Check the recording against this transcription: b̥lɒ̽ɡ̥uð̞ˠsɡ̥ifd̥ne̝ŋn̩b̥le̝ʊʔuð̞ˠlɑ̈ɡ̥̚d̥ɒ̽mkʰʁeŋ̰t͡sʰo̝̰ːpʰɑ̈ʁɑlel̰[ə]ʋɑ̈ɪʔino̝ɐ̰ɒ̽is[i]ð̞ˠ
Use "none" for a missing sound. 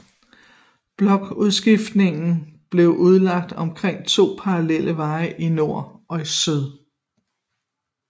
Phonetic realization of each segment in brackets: ə, y

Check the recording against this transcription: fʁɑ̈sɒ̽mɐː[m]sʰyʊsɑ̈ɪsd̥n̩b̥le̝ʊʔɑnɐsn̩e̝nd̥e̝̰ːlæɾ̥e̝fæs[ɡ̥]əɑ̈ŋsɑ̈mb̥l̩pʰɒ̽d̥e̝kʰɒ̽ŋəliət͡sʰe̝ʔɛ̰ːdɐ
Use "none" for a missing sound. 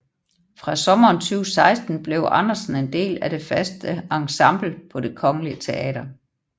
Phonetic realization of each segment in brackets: n, d̥

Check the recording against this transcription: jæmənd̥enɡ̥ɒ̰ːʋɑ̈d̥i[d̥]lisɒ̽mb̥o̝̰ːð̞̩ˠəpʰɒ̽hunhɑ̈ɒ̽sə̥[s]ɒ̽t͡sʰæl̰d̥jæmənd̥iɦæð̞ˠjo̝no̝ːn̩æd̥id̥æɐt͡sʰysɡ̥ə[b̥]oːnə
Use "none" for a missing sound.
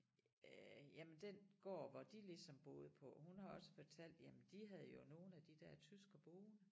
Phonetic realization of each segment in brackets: none, f, b̥

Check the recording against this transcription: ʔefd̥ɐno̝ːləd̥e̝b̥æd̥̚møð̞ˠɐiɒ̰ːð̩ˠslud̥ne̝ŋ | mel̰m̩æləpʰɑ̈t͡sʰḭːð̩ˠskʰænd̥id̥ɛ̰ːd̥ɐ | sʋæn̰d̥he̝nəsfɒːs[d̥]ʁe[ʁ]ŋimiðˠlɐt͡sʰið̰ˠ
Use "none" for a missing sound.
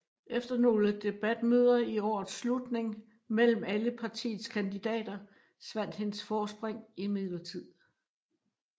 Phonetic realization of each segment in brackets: b̥, none

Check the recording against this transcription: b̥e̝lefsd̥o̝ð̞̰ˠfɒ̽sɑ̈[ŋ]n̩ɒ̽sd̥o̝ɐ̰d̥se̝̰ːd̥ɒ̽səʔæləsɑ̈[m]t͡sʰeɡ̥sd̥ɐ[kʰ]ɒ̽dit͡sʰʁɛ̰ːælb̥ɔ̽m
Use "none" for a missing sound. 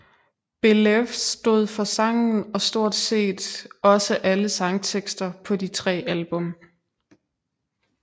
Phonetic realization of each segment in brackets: ŋ, ŋ, pʰ

